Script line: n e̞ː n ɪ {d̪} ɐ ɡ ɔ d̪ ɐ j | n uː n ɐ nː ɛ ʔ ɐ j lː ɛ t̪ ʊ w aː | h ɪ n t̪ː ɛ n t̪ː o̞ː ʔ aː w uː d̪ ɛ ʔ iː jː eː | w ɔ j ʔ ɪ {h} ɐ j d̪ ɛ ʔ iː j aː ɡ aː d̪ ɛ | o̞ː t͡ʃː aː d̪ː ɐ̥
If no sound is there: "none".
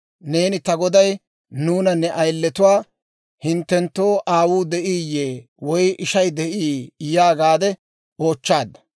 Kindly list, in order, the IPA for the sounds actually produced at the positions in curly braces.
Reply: t̪, ʃ

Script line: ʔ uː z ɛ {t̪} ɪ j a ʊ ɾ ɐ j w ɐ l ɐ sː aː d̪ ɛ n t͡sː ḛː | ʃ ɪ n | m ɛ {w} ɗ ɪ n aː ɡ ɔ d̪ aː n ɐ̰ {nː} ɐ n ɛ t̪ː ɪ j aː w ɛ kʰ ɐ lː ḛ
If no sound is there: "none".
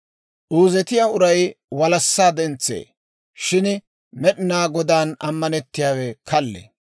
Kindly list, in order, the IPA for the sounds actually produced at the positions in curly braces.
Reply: t̪, none, mː

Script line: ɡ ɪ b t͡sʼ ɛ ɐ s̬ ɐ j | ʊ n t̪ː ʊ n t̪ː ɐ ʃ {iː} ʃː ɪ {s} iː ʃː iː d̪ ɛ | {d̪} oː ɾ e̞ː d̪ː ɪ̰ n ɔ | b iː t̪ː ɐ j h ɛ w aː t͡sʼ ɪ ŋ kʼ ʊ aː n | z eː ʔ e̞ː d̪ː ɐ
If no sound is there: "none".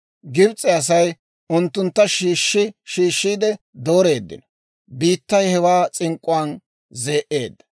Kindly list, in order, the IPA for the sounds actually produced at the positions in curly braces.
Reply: iː, ʃ, d̪

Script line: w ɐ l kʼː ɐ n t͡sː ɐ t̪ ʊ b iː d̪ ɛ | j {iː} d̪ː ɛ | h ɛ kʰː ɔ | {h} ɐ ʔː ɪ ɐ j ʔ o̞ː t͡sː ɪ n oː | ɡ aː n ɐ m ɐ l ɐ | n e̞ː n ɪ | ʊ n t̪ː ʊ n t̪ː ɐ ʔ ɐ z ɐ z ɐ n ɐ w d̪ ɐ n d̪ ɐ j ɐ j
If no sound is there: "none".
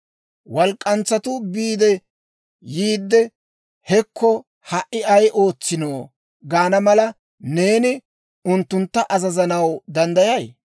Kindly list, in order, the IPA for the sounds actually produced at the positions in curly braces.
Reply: iː, h

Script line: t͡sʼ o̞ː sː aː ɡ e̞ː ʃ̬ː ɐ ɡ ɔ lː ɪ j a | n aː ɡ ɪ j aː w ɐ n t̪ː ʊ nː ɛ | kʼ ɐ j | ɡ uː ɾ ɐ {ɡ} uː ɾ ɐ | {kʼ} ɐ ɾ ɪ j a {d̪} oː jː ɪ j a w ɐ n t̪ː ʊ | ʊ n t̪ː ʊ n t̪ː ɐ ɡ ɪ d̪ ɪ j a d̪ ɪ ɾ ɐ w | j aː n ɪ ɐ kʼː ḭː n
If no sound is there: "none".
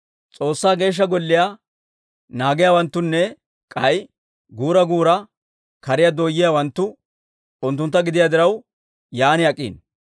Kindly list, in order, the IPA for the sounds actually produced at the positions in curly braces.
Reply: ɡ, k, d̪

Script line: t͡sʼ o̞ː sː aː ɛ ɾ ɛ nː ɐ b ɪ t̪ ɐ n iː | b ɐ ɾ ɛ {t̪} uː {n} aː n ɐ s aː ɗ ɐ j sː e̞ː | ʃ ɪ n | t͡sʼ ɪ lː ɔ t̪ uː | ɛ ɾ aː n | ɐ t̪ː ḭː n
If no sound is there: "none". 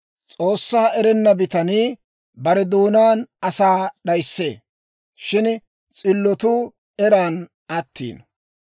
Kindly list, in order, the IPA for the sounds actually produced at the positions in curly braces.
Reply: d̪, n

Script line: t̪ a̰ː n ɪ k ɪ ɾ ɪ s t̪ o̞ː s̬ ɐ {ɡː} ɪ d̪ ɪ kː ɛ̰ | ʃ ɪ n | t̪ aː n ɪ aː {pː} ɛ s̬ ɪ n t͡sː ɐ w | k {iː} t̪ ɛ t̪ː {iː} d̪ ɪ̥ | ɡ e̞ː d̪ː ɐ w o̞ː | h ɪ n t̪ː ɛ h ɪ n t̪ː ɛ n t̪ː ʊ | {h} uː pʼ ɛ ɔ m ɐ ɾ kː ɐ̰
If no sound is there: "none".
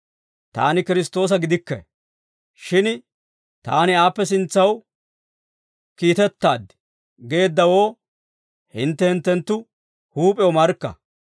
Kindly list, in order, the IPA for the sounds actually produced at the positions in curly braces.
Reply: ɡ, pː, iː, aː, h

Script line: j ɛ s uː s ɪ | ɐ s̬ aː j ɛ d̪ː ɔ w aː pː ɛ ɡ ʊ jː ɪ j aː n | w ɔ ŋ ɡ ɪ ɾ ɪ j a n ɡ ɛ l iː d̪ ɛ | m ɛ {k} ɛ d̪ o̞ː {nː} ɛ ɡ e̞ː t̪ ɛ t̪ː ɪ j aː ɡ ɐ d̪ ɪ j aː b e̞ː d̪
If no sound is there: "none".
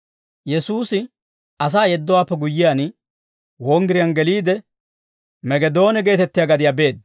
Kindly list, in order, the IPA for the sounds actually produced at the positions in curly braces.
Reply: ɡ, n

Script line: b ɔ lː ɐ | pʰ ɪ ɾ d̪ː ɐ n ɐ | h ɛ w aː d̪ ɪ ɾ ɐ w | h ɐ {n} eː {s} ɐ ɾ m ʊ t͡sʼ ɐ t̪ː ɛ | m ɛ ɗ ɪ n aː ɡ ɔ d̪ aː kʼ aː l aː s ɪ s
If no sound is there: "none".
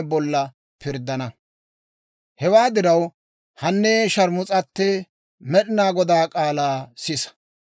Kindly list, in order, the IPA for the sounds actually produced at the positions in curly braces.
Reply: nː, ʃ

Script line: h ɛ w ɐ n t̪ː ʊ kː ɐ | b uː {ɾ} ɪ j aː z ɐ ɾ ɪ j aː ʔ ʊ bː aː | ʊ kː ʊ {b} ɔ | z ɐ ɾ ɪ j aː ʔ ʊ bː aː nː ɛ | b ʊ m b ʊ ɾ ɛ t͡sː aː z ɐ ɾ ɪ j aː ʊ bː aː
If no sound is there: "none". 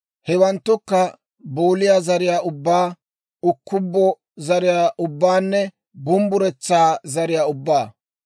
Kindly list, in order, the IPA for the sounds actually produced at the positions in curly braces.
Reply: l, bː

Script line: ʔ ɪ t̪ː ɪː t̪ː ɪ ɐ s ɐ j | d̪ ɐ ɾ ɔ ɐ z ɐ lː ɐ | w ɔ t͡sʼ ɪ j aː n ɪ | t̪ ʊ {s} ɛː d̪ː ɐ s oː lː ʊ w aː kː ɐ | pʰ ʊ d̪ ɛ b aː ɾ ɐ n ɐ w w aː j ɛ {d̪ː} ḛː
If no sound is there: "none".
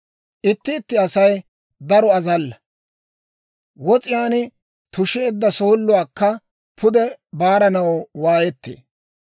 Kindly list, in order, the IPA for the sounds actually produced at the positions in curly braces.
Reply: ʃ, t̪ː

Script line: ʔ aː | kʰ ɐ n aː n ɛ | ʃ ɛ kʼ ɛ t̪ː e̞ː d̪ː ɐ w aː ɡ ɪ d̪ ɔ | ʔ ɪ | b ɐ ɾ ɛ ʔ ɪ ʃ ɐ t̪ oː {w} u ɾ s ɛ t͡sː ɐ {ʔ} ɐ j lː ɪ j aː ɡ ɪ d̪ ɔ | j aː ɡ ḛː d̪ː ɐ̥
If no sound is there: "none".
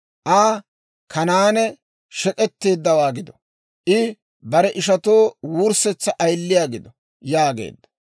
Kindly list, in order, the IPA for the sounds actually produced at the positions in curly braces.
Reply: w, ʔ

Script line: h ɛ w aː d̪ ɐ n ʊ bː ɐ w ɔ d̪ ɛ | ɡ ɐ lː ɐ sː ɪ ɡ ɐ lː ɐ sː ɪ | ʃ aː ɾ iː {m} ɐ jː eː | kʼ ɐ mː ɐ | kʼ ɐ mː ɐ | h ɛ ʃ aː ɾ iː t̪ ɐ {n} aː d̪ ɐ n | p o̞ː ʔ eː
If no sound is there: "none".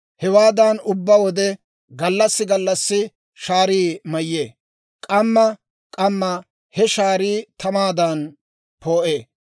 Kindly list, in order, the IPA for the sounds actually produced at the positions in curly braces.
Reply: m, m

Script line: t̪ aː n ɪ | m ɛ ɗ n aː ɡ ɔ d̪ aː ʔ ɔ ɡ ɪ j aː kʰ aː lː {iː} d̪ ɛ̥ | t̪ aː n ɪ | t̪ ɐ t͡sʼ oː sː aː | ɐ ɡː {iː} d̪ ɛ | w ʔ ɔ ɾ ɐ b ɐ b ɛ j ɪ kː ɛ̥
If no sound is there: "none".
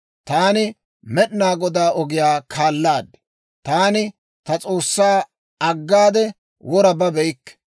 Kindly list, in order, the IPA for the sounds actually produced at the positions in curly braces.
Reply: aː, aː

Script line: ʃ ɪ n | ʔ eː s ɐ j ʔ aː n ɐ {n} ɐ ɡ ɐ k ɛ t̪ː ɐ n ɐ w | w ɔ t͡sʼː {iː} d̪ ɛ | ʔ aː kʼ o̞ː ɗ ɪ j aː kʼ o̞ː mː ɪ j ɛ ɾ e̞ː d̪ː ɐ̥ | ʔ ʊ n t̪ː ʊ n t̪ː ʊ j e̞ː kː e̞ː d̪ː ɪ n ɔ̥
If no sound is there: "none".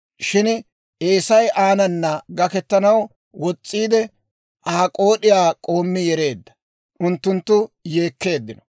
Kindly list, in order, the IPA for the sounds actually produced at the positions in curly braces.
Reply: nː, iː

